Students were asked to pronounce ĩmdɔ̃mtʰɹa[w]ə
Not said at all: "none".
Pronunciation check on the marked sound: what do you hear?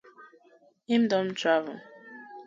v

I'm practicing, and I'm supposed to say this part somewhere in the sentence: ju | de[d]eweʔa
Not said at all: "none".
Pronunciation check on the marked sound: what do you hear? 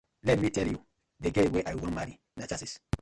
ɡ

